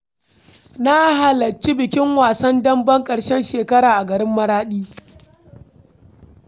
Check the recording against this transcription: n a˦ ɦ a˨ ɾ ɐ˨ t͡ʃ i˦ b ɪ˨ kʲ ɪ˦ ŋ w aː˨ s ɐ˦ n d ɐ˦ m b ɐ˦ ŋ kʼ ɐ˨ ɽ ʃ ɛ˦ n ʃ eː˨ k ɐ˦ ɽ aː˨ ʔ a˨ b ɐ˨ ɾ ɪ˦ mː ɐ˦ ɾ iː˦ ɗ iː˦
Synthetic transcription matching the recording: n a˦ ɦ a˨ l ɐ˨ t͡ʃ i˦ b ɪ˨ kʲ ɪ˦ ŋ w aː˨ s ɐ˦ n d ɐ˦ m b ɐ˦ ŋ kʼ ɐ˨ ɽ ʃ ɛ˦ n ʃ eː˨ k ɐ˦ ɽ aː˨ ʔ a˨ ɡ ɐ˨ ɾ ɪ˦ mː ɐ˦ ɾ aː˦ ɗ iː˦